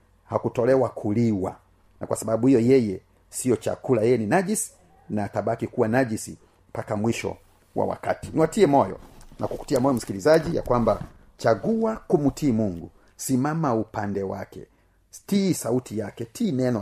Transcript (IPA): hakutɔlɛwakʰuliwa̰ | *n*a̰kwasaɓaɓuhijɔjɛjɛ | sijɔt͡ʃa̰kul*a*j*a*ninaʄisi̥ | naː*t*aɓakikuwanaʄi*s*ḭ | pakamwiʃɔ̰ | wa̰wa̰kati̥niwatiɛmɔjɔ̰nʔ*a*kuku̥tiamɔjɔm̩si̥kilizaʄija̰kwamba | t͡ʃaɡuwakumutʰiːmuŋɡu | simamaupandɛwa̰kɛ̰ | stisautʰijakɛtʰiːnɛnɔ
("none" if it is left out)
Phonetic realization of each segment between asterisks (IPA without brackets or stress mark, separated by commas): n, a, ɛ, t, s, a